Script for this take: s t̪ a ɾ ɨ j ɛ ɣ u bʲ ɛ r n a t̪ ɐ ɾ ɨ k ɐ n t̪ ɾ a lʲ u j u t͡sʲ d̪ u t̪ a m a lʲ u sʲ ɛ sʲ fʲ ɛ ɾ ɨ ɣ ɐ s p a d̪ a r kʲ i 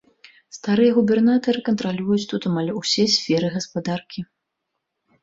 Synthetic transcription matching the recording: s t̪ a ɾ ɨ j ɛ ɣ u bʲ ɛ r n a t̪ ɐ ɾ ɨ k ɐ n t̪ ɾ a lʲ u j u t͡sʲ t̪ u t̪ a m a lʲ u sʲ ɛ sʲ fʲ ɛ ɾ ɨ ɣ ɐ s p a d̪ a r kʲ i